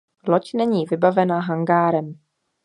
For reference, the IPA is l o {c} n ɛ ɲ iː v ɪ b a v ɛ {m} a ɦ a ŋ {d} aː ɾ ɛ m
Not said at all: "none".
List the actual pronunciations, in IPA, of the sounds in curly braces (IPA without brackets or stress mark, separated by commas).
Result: c, n, ɡ